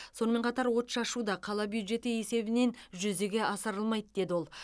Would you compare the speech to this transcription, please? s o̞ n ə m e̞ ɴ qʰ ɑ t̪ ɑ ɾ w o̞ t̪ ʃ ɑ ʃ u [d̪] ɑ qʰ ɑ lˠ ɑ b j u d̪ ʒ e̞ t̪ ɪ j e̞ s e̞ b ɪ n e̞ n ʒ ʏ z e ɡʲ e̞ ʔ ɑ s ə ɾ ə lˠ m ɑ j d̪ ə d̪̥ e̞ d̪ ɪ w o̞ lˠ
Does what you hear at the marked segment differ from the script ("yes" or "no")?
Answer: no